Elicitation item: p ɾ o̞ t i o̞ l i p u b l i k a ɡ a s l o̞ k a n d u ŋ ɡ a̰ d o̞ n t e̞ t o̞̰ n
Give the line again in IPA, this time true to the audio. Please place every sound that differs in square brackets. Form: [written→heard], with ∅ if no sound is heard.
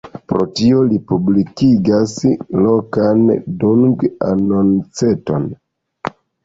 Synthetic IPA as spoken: p ɾ o̞ t i o̞ l i p u b l i k [a→i] ɡ a s l o̞ k a n d u ŋ ɡ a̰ [d→n] o̞ n [t→t͡s] e̞ t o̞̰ n